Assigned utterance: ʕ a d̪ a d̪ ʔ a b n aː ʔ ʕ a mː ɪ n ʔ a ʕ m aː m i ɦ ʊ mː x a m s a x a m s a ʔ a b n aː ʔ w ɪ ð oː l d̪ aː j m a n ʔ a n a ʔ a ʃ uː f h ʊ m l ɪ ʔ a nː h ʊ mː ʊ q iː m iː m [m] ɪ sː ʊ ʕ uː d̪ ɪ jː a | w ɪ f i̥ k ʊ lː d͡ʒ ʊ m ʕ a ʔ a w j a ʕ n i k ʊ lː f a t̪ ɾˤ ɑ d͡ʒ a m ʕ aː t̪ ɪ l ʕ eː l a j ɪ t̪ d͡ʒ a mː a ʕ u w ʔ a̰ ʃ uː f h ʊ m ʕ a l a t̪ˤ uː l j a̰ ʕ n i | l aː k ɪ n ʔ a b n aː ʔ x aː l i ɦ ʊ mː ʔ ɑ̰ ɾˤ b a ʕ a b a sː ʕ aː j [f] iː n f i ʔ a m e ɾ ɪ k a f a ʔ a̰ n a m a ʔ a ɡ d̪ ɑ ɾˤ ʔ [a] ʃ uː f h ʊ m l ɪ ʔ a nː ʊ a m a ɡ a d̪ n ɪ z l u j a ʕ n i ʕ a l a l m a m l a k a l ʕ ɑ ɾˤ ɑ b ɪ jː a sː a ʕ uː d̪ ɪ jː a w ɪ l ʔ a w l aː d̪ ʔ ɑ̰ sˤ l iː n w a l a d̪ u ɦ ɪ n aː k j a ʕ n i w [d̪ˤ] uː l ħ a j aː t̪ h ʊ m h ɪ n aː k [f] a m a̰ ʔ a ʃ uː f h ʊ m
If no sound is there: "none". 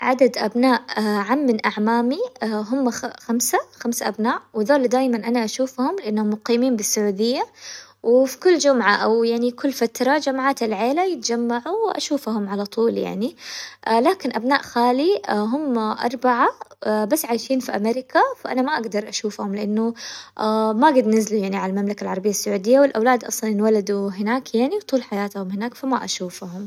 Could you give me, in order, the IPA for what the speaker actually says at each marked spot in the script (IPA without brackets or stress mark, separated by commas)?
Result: b, ʃ, a, t̪ˤ, f